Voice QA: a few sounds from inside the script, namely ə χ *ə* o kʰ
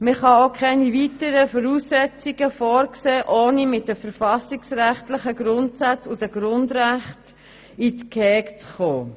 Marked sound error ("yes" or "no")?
yes